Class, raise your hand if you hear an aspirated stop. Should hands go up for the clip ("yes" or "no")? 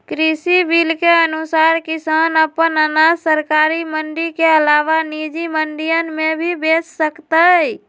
no